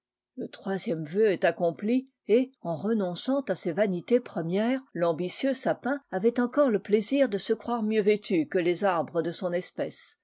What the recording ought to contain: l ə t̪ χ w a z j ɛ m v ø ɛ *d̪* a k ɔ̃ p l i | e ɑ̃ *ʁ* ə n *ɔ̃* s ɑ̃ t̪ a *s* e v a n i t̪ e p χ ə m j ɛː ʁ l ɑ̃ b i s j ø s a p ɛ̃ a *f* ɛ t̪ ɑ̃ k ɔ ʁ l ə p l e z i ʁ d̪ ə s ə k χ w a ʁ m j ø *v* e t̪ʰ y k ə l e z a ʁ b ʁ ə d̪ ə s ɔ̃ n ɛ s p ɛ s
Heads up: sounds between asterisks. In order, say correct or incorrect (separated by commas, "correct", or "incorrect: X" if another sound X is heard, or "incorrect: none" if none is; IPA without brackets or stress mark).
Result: incorrect: t̪, correct, correct, correct, incorrect: v, correct